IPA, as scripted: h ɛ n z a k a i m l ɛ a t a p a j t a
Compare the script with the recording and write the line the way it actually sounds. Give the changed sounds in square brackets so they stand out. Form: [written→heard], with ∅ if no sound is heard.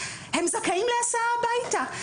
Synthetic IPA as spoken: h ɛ [n→m] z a k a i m l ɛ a [t→s] a [p→b] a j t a